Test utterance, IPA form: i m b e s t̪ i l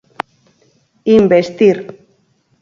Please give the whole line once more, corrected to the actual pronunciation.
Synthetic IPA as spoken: i m b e s t̪ i ɾ